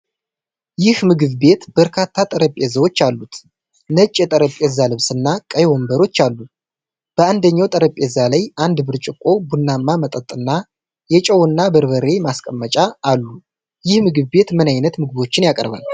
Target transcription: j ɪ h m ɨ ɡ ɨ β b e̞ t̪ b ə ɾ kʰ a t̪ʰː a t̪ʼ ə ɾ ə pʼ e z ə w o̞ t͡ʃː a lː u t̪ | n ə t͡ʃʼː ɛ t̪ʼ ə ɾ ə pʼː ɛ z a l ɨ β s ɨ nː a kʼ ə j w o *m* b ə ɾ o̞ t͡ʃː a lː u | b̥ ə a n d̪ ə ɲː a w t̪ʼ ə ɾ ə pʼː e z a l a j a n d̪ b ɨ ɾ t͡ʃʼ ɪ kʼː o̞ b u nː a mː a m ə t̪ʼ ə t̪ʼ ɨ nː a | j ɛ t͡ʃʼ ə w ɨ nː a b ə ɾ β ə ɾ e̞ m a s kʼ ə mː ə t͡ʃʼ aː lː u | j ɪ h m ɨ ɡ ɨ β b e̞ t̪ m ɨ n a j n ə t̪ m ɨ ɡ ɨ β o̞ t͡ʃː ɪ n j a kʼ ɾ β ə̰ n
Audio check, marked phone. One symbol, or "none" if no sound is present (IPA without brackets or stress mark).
m